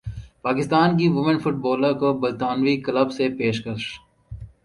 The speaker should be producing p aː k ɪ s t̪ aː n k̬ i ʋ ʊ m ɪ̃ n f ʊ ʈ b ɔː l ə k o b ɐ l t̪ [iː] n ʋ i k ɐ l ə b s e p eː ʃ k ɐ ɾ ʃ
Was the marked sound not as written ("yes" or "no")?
yes